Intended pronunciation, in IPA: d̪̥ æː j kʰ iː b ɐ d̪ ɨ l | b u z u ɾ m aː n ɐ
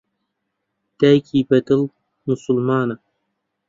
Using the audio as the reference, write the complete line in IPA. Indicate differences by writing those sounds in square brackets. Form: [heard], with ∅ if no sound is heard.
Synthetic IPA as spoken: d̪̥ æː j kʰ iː b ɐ d̪ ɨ l | [m] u [s] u [l] m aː n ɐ